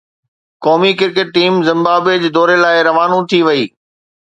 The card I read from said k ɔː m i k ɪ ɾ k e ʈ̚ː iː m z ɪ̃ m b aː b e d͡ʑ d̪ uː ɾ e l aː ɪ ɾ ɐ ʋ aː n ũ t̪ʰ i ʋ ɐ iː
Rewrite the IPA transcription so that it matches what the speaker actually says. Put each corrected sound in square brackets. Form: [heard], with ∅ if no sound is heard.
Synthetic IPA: k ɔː m i k ɪ ɾ k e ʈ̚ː iː m z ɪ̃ m b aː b e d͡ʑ d̪ [ɔː] ɾ e l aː ɪ ɾ ɐ ʋ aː n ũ t̪ʰ i ʋ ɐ iː